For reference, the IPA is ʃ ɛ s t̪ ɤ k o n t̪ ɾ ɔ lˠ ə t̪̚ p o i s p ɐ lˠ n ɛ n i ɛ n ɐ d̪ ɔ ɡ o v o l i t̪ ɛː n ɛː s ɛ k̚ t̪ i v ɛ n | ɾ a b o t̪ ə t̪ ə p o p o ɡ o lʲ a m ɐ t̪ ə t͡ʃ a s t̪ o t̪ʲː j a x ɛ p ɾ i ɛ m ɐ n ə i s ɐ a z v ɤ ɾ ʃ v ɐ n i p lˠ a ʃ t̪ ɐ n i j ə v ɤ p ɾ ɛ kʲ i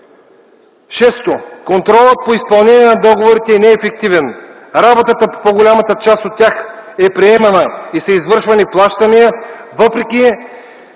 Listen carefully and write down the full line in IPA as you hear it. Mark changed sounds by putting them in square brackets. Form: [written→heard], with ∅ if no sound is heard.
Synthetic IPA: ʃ ɛ s t̪ [ɤ→o] k o n t̪ ɾ ɔ lˠ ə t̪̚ p o i s p ɐ lˠ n ɛ n i ɛ n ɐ d̪ ɔ ɡ o v o [l→ɾ] i t̪ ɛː n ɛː [s→f] ɛ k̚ t̪ i v ɛ n | ɾ a b o t̪ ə t̪ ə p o p o ɡ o lʲ a m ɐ t̪ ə t͡ʃ a s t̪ o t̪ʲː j a x ɛ p ɾ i ɛ m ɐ n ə i s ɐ [a→i] z v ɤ ɾ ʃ v ɐ n i p lˠ a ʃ t̪ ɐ n i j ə v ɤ p ɾ ɛ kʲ i